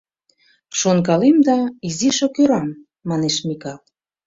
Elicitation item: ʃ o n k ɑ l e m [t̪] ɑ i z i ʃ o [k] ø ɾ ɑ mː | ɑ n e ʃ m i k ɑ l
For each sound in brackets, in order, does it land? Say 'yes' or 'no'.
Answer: no, yes

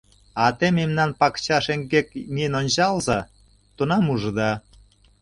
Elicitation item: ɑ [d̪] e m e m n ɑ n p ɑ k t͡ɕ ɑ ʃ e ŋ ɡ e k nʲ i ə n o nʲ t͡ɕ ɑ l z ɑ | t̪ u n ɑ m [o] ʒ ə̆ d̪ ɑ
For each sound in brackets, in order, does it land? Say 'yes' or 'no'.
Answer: no, no

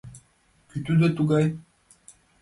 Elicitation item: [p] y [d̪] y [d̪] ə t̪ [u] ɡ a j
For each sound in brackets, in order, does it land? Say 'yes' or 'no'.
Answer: no, no, yes, yes

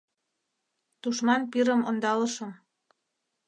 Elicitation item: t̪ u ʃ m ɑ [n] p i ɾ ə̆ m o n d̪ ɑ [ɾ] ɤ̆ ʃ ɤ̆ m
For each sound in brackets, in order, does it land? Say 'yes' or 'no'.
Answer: yes, no

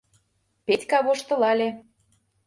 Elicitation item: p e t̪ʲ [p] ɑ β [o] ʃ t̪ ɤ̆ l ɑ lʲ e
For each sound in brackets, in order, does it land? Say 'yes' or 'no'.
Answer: no, yes

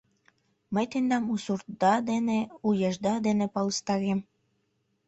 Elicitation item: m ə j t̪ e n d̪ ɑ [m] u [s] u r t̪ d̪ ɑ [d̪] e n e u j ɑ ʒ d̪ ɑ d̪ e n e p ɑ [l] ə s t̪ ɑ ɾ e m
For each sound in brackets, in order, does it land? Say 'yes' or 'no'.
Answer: yes, yes, yes, yes

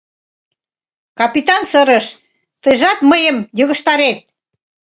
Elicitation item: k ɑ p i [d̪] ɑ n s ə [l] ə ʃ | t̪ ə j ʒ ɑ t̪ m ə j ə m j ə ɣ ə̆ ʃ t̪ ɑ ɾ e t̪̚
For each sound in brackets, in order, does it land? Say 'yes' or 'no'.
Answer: no, no

